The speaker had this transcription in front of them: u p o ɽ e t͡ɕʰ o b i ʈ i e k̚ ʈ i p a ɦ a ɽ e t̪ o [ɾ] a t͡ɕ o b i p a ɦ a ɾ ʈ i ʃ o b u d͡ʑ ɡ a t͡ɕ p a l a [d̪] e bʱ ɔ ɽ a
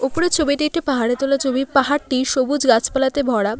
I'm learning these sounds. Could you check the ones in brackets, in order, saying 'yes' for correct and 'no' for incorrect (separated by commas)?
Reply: no, no